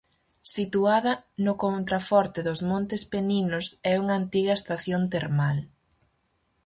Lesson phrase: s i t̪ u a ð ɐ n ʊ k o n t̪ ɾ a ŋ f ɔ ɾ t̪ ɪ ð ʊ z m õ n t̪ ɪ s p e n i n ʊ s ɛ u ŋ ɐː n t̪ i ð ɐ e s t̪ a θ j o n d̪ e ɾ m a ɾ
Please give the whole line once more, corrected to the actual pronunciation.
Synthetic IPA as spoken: s i t̪ u a ð ɐ n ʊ k o n t̪ ɾ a f ɔ ɾ t̪ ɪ ð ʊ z m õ n t̪ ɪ s p e n i n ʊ s ɛ u ŋ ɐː n t̪ i ɣ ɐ e s t̪ a θ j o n t̪ e ɾ m a l